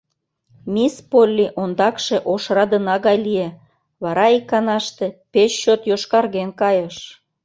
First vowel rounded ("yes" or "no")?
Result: no